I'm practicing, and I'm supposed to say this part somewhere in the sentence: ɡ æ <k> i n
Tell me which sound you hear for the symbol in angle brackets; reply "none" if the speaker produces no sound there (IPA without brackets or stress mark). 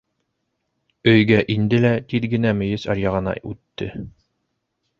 ʔ